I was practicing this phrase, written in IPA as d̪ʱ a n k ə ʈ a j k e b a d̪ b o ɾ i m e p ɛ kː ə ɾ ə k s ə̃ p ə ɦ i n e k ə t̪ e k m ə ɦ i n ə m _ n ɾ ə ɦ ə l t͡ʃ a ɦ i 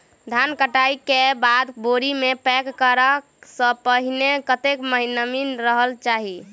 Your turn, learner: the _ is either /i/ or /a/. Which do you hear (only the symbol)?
i